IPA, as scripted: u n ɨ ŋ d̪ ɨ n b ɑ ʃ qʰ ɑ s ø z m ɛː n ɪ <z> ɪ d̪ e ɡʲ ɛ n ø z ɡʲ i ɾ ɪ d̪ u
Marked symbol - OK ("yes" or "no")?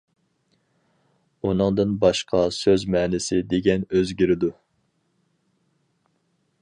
no